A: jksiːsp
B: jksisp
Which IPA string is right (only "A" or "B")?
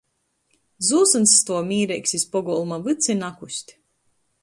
B